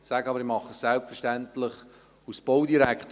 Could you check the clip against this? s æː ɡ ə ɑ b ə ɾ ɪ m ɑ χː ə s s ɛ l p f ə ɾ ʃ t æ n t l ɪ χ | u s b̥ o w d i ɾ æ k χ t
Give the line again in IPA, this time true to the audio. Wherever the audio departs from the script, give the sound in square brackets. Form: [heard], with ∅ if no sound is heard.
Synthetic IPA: s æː ɡ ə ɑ b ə ɾ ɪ m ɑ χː ə s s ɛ l p f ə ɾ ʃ t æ n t l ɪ χ | u s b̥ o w d i ɾ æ k χ t